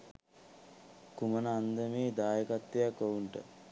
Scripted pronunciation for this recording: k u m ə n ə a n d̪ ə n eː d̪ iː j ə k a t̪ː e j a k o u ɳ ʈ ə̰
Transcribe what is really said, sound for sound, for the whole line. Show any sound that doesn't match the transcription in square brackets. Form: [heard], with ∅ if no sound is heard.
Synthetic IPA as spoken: k u m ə n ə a n d̪ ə [m] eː d̪ [aː] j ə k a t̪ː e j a k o u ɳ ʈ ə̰